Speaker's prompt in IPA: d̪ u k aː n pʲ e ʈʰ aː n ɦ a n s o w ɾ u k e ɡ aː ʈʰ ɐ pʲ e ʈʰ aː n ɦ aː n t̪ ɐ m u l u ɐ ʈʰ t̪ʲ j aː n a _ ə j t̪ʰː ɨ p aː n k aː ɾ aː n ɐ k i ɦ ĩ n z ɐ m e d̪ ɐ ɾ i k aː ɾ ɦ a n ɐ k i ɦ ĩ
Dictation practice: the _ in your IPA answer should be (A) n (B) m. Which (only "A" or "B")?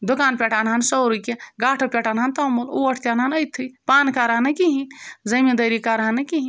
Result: A